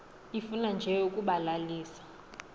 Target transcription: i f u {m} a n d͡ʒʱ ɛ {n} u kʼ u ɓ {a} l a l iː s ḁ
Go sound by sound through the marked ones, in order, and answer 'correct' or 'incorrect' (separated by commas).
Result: incorrect, incorrect, correct